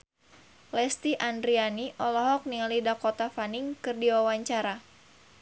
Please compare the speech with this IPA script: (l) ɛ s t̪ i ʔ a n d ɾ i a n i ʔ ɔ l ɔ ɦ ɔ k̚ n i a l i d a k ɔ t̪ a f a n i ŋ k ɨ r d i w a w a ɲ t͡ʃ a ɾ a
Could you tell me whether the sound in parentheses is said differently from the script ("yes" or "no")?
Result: no